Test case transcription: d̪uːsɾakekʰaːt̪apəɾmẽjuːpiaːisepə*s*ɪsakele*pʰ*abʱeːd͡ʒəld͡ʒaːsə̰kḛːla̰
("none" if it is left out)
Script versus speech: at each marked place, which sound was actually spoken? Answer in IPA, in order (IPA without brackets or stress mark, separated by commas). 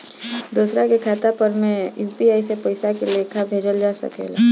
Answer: none, kʰ